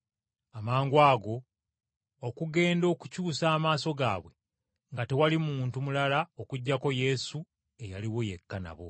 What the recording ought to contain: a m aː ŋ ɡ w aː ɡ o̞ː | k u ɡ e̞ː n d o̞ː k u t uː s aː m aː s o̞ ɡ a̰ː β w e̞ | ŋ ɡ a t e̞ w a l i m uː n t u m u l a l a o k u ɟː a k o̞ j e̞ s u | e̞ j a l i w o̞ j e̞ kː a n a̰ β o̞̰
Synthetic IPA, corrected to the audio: a m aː ŋ ɡ w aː ɡ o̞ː | k u ɡ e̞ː n d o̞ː k u c uː s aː m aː s o̞ ɡ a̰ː β w e̞ | ŋ ɡ a t e̞ w a l i m uː n t u m u l a l a o k u ɟː a k o̞ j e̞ s u | e̞ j a l i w o̞ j e̞ kː a n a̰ β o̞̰